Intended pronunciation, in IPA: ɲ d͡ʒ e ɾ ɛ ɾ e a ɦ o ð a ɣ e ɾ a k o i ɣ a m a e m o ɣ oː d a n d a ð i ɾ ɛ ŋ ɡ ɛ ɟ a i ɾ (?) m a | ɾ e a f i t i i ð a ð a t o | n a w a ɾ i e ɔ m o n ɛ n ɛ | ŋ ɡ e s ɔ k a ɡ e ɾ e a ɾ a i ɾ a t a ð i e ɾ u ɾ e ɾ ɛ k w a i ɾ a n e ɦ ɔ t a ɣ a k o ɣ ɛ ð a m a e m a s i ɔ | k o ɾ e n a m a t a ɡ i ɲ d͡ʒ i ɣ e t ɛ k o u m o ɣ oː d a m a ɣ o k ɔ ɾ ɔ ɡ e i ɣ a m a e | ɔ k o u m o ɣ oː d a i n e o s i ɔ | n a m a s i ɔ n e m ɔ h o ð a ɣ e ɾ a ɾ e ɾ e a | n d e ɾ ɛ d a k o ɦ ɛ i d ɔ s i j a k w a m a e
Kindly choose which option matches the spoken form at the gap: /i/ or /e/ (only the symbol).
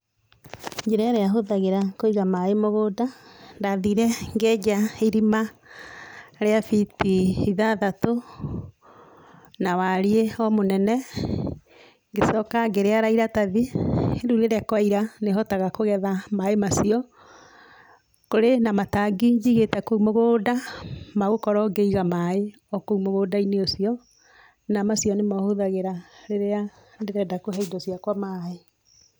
i